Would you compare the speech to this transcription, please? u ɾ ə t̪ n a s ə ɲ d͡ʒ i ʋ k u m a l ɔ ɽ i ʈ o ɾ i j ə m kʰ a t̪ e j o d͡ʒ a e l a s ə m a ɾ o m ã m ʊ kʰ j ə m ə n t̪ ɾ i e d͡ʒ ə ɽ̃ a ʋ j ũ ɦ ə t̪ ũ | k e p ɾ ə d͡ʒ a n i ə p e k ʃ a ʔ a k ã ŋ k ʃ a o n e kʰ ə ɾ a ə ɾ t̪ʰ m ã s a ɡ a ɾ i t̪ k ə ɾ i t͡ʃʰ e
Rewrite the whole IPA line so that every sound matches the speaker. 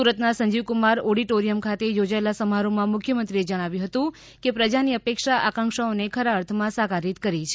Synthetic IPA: u ɾ ə t̪ n a s ə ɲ d͡ʒ i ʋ k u m a ɾ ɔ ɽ i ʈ o ɾ i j ə m kʰ a t̪ e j o d͡ʒ a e l a s ə m a ɾ o m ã m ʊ kʰ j ə m ə n t̪ ɾ i e d͡ʒ ə ɽ̃ a ʋ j ũ ɦ ə t̪ ũ | k e p ɾ ə d͡ʒ a n i ə p e k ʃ a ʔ a k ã ŋ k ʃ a o n e kʰ ə ɾ a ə ɾ t̪ʰ m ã s a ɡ a ɾ i t̪ k ə ɾ i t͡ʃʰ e